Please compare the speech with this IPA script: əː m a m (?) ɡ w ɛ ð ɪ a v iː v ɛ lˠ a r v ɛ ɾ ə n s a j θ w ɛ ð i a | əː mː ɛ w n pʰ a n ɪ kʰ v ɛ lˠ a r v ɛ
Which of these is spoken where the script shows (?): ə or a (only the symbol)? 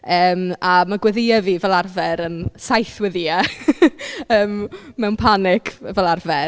a